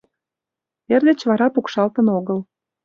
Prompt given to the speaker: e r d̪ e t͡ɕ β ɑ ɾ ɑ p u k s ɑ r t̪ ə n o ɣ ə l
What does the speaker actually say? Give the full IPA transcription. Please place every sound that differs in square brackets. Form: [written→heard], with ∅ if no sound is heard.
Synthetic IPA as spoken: e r d̪ e t͡ɕ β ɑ ɾ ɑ p u k [s→ʃ] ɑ [r→l] t̪ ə n o ɣ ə l